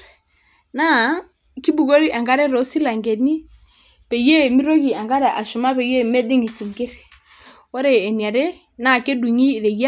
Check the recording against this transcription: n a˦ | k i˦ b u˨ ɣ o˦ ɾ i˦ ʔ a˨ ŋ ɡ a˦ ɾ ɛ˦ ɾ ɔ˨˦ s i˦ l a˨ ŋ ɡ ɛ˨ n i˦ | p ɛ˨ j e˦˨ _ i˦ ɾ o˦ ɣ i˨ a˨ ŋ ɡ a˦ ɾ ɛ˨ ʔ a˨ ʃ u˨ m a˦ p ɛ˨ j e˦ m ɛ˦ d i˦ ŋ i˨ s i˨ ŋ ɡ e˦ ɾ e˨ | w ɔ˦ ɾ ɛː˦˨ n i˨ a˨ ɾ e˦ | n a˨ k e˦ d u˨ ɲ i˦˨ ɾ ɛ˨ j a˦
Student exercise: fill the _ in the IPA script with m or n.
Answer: m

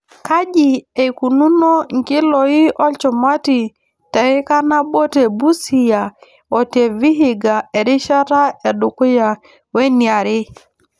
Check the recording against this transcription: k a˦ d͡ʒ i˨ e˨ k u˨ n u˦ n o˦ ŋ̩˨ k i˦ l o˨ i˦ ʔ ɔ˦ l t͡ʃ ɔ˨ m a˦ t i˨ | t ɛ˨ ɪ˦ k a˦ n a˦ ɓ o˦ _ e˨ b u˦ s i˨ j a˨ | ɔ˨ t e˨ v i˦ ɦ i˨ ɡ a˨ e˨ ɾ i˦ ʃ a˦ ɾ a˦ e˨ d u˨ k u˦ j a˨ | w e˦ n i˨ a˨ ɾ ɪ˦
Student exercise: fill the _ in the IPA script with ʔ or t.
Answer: t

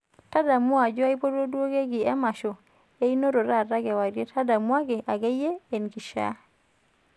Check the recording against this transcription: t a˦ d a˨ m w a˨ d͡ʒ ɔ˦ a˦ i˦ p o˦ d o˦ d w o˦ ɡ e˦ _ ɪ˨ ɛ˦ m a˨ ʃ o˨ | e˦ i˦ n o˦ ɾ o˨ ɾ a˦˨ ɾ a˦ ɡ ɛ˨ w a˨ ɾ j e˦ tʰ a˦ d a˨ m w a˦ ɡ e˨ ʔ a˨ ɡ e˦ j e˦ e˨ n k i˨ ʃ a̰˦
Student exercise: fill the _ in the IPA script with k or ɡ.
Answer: ɡ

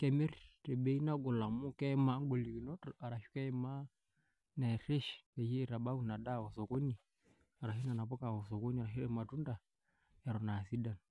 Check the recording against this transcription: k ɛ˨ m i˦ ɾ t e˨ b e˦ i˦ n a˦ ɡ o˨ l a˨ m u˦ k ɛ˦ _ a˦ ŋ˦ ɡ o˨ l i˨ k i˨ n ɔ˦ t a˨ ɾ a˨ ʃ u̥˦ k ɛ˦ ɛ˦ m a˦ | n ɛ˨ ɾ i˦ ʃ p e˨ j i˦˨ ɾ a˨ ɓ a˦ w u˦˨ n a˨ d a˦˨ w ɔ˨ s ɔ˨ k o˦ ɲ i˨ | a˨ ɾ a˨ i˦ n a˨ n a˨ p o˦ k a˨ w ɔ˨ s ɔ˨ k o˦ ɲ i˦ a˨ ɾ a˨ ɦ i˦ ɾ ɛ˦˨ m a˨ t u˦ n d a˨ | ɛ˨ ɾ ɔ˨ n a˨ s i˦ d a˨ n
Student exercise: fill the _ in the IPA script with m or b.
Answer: m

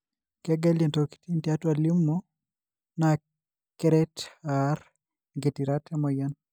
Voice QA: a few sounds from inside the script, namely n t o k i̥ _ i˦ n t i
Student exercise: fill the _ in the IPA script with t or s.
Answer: t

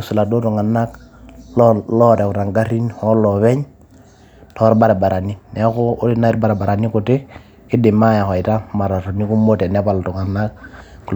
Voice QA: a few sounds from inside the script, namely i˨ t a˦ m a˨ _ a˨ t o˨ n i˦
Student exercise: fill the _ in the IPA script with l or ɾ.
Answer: ɾ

